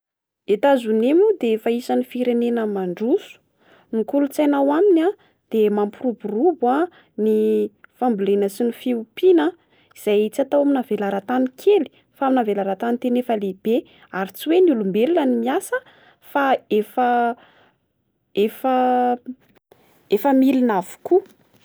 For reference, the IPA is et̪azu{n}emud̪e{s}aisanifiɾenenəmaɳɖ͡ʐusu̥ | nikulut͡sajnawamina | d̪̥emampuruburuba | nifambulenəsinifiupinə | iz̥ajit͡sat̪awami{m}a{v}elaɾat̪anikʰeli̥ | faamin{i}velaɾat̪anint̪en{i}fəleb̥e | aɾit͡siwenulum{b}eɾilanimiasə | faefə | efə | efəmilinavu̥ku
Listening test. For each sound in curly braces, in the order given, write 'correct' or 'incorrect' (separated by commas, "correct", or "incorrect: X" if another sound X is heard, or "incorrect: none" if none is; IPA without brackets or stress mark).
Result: correct, incorrect: f, incorrect: n, correct, incorrect: a, incorrect: e, correct